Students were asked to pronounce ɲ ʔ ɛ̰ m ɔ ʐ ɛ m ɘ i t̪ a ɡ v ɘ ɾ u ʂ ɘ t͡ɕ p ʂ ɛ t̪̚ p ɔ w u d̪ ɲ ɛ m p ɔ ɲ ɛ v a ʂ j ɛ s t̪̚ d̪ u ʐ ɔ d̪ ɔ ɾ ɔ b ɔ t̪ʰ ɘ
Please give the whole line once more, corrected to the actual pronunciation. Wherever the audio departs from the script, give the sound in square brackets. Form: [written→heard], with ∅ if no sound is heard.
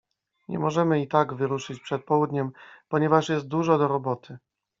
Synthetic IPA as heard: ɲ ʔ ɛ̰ m ɔ ʐ ɛ m ɘ i t̪ a ɡ v ɘ ɾ u ʂ ɘ t͡ɕ p ʂ ɛ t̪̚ p ɔ w u d̪ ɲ ɛ m p ɔ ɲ ɛ v a ʂ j ɛ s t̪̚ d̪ u ʐ ɔ d̪ ɔ ɾ ɔ b ɔ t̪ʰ ɘ